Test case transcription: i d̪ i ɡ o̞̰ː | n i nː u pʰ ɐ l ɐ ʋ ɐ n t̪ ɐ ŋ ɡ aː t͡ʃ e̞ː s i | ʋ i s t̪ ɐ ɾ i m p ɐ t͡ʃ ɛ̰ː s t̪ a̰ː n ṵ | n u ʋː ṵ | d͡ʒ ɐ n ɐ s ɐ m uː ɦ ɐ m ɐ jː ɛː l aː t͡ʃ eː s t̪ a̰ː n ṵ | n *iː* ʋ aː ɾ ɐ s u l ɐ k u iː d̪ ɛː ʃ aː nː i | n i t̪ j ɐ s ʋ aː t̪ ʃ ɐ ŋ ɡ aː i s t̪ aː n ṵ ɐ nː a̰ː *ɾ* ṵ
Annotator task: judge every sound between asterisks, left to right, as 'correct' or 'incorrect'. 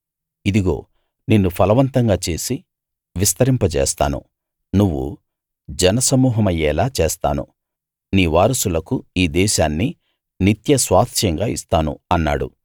correct, incorrect

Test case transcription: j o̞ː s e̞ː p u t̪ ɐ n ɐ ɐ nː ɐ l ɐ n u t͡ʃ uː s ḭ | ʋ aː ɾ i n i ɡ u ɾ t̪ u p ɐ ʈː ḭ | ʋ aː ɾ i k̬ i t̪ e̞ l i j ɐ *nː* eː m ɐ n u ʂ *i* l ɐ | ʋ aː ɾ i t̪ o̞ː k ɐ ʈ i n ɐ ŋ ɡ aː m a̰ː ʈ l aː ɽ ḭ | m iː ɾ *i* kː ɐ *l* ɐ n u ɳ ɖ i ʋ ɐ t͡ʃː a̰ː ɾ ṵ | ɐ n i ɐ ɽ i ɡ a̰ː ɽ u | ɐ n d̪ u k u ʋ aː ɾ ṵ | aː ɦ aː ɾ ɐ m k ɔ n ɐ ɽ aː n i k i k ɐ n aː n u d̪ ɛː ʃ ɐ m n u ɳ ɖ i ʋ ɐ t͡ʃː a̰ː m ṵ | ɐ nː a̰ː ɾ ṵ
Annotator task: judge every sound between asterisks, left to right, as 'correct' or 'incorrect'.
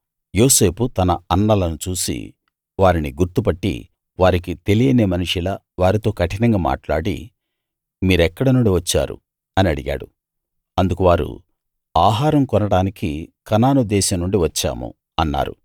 incorrect, correct, incorrect, incorrect

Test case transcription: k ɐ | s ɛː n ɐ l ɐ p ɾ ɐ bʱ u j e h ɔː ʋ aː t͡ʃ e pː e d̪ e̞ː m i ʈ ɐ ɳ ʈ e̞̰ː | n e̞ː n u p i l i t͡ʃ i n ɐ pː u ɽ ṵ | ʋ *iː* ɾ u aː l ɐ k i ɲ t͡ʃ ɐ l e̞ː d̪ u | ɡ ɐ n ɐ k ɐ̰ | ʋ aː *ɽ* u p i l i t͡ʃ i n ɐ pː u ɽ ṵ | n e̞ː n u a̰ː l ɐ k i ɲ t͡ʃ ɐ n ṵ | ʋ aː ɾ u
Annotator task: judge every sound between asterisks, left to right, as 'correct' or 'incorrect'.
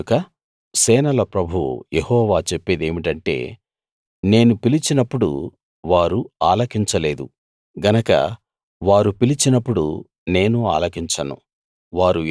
incorrect, incorrect

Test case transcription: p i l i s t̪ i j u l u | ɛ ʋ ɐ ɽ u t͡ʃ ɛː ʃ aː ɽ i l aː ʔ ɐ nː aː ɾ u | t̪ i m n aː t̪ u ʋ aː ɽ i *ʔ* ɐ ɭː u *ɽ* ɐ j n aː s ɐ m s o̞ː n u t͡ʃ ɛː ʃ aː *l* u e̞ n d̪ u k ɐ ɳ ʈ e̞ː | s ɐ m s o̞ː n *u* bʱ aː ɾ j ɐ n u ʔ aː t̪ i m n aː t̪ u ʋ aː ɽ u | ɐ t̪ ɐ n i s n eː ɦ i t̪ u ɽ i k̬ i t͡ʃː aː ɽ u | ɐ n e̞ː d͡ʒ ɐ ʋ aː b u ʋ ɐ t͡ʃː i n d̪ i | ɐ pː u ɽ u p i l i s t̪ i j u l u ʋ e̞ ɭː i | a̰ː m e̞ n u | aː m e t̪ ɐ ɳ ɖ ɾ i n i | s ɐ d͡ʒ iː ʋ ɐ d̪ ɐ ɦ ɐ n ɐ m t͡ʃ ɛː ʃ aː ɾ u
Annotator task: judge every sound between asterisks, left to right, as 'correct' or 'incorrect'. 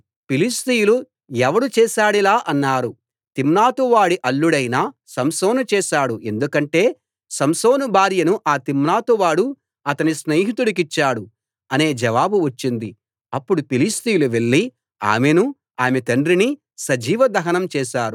correct, correct, incorrect, correct

